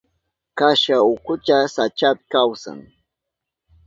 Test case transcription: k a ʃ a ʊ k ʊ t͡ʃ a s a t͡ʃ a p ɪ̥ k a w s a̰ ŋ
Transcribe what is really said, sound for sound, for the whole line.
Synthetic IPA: k a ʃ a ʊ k ʊ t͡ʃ a s a t͡ʃ a p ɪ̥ k a w s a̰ ŋ